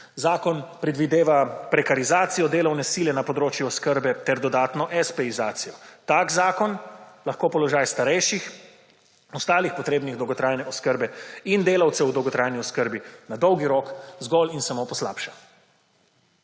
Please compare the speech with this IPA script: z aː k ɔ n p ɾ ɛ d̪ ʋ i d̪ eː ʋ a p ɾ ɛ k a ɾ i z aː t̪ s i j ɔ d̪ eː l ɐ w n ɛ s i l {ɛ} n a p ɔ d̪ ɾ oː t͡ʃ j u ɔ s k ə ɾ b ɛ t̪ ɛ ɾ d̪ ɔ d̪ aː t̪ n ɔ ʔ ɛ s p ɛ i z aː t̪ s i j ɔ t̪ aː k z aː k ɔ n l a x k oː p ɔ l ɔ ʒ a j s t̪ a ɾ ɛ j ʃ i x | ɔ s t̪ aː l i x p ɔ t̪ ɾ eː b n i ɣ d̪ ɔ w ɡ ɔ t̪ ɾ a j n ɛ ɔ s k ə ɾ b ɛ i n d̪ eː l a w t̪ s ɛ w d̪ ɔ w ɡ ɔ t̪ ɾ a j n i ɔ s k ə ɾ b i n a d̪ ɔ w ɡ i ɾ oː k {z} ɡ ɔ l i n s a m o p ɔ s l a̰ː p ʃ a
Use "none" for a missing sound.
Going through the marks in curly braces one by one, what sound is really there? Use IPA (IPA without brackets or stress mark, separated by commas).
ɛ, z